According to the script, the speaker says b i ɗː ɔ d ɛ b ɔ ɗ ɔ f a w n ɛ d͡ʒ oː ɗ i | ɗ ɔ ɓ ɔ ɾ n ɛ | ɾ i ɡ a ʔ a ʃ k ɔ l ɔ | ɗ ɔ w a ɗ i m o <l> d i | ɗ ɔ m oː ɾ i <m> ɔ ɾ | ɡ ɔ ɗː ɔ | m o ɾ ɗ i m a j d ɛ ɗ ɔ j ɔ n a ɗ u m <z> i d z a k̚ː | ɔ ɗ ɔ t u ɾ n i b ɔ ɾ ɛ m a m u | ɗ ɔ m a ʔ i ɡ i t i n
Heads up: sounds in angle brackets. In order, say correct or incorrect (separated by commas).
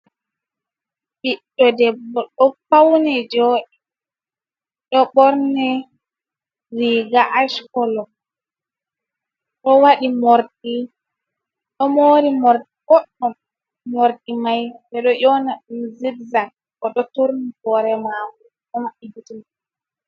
incorrect, correct, correct